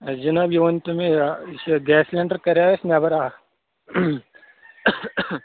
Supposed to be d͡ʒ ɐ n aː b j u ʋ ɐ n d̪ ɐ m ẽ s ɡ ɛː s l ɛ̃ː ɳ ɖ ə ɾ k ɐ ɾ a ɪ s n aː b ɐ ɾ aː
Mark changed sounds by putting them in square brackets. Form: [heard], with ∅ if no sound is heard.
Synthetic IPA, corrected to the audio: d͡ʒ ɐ n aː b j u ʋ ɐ n [t̪] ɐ m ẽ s ɡ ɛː s l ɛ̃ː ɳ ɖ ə ɾ k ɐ ɾ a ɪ s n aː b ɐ ɾ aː